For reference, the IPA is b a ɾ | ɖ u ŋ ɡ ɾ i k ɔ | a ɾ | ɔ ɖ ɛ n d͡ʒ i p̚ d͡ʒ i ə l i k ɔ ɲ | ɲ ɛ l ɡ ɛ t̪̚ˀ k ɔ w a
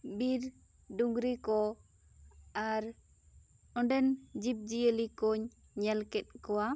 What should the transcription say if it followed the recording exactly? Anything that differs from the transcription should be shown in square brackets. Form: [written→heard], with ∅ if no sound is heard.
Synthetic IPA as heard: b [a→i] ɾ | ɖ u ŋ ɡ ɾ i k ɔ | a ɾ | ɔ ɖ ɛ n d͡ʒ i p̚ d͡ʒ i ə l i k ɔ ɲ | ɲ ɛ l [ɡ→k] ɛ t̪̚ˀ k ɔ w a

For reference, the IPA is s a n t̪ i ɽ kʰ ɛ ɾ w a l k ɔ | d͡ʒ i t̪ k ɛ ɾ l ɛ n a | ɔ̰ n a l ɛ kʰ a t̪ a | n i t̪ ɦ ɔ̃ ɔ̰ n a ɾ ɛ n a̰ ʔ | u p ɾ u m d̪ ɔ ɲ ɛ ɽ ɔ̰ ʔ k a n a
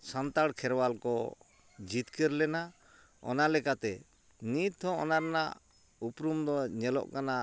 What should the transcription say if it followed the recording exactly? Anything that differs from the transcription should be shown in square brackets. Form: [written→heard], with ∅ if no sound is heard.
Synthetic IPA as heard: s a n t̪ [i→a] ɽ kʰ ɛ ɾ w a l k ɔ | d͡ʒ i t̪ k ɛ ɾ l ɛ n a | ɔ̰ n a l ɛ [kʰ→k] a t̪ [a→ɛ] | n i t̪ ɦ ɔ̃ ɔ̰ n a ɾ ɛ n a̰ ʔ | u p ɾ u m d̪ ɔ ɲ ɛ [ɽ→l] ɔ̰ ʔ k a n a

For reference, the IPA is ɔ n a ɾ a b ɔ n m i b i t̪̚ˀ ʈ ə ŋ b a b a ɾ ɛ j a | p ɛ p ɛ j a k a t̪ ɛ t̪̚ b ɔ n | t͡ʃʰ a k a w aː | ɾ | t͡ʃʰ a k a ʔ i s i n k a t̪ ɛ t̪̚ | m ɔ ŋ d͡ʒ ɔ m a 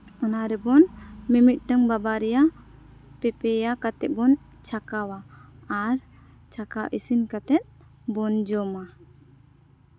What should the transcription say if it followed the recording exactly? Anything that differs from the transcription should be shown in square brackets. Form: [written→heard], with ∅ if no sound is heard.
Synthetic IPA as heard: ɔ n a ɾ [a→ɛ] b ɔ n m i [b→m] i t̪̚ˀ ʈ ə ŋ b a b a ɾ ɛ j a | p ɛ p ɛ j a k a t̪ ɛ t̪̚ b ɔ n | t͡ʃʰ a k a w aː | ɾ | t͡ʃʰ a k a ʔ i s i n k a t̪ ɛ t̪̚ | [m→b] ɔ [ŋ→n] d͡ʒ ɔ m a

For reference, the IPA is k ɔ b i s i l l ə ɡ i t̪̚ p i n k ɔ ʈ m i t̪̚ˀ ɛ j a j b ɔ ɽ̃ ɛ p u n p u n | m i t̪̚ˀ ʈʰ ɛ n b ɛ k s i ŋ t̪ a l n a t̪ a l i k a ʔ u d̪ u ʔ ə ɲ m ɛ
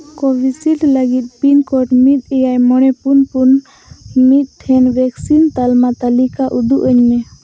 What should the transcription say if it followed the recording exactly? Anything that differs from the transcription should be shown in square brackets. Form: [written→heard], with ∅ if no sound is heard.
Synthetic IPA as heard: k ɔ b i s i l l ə ɡ i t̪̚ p i n k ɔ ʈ m i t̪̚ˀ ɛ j a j [b→m] ɔ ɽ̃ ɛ p u n p u n | m i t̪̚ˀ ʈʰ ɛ n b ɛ k s i [ŋ→n] t̪ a l [n→m] a t̪ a l i k a ʔ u d̪ u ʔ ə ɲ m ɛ

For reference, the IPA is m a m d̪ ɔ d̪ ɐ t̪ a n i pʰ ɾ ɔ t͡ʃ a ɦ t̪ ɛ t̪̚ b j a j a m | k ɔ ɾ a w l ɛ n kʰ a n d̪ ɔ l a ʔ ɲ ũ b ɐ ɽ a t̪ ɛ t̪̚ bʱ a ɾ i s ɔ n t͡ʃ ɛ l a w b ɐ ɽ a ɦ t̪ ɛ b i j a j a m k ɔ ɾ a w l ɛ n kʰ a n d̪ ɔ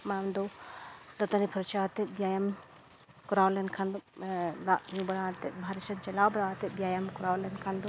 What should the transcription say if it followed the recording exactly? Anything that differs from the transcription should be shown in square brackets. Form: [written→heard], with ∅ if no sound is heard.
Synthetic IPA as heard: m a m d̪ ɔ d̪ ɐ t̪ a n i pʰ ɾ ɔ t͡ʃ a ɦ t̪ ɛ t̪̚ b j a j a m | k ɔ ɾ a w l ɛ n kʰ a n d̪ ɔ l a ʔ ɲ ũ b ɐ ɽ a t̪ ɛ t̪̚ bʱ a ɾ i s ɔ n t͡ʃ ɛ l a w b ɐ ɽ a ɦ t̪ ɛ b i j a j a m k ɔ ɾ a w l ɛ n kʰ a n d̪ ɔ

